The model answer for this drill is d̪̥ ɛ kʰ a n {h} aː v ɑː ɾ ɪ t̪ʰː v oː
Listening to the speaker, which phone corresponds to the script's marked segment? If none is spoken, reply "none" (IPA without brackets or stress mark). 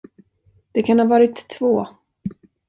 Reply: h